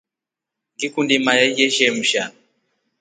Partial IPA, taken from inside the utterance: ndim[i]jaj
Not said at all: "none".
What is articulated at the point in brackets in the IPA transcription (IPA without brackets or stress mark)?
a